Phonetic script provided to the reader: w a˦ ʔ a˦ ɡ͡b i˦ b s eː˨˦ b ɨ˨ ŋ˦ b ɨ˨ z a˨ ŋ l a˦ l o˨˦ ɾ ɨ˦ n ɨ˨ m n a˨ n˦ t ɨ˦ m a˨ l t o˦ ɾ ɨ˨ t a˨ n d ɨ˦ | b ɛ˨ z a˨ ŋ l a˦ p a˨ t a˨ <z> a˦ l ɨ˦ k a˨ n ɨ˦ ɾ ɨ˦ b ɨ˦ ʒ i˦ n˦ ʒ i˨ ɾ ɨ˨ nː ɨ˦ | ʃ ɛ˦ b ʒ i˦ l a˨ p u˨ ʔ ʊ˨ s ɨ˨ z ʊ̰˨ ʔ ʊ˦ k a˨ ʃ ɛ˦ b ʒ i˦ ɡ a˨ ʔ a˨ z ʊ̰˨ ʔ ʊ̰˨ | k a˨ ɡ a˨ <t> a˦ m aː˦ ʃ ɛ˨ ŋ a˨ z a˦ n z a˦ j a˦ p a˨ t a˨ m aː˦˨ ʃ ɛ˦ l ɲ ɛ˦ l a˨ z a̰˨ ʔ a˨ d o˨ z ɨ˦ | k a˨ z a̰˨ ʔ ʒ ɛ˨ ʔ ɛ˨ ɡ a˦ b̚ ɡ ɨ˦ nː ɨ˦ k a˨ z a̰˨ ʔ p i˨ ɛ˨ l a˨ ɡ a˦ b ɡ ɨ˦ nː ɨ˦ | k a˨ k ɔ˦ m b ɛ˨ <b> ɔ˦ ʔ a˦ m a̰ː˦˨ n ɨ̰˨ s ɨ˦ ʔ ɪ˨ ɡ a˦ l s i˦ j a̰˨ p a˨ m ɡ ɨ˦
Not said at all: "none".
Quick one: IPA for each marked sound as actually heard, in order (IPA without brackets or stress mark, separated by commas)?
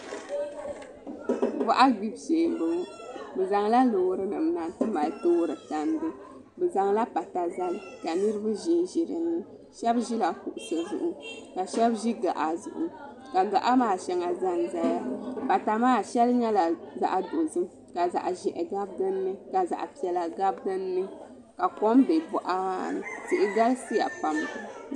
z, ʔ, b